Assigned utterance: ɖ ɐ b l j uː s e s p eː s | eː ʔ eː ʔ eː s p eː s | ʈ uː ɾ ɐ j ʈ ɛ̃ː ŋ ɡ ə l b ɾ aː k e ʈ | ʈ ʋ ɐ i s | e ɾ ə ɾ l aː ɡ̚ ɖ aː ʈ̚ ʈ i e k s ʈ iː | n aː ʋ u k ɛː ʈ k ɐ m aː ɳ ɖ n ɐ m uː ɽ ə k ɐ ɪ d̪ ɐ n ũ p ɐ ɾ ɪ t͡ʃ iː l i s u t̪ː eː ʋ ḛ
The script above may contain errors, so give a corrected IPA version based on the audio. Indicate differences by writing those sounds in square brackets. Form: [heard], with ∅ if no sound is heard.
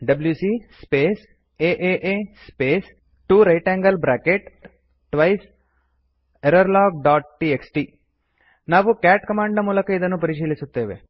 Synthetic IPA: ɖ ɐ b l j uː s [i] s p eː s | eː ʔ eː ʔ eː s p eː s | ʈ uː ɾ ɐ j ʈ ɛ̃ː ŋ ɡ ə l b ɾ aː k e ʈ | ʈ ʋ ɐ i s | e ɾ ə ɾ l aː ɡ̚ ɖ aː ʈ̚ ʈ i e k s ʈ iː | n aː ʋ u k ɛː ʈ k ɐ m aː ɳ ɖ n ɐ m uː [l] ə k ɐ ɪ d̪ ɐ n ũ p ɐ ɾ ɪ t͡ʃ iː l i s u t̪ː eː ʋ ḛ